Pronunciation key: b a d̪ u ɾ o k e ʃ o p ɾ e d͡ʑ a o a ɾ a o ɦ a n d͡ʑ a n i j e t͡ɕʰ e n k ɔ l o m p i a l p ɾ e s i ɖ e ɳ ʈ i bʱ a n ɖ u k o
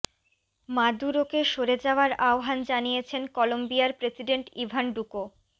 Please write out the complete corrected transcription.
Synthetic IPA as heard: m a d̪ u ɾ o k e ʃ o ɾ e d͡ʑ a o a ɾ a o ɦ a n d͡ʑ a n i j e t͡ɕʰ e n k ɔ l o m b i a ɾ p ɾ e s i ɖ e ɳ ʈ i bʱ a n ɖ u k o